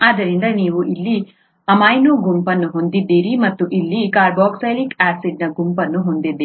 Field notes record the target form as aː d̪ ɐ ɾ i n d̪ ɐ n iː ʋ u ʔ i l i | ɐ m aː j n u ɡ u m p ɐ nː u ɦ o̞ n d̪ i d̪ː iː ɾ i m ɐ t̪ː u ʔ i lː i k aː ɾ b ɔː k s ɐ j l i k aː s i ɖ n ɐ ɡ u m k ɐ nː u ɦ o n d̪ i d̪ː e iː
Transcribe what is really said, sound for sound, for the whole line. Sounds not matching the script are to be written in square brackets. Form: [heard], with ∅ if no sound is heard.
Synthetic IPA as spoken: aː d̪ ɐ ɾ i n d̪ ɐ n iː ʋ u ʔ i [lː] i | ɐ m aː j n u ɡ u m p ɐ nː u ɦ o̞ n d̪ i d̪ː iː ɾ i m ɐ t̪ː u ʔ i lː i k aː ɾ b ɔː k s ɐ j l i k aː s i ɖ n ɐ ɡ u m [p] ɐ nː u ɦ o n d̪ i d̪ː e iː